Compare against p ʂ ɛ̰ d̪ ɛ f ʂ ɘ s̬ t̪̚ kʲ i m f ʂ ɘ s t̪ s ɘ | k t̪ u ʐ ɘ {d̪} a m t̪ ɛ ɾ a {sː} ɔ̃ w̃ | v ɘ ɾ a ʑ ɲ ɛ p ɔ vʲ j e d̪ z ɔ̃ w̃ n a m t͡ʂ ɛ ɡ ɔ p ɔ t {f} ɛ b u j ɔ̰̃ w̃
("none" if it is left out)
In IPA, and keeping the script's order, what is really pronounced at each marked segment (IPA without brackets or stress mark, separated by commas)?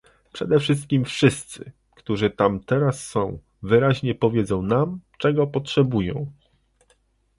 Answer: t̪, sː, ʂ